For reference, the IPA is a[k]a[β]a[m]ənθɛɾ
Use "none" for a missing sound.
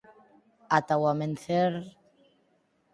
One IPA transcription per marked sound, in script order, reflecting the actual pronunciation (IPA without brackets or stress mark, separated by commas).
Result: t, w, m